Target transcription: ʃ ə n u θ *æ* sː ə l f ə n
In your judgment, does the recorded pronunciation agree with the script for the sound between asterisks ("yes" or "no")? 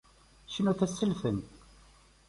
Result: yes